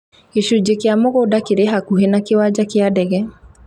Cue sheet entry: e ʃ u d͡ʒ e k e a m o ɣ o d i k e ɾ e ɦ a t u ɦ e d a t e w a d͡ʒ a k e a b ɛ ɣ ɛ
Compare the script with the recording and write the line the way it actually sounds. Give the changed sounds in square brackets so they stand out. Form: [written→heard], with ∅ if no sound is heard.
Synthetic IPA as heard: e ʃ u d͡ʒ e k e a m o ɣ o d [i→a] k e ɾ e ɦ a [t→k] u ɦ e [d→n] a [t→k] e w a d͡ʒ a k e a [b→d] ɛ ɣ ɛ